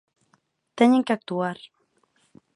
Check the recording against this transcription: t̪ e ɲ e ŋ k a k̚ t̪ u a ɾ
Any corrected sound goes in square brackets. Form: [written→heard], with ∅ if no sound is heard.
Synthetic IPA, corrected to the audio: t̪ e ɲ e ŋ k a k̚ t̪ u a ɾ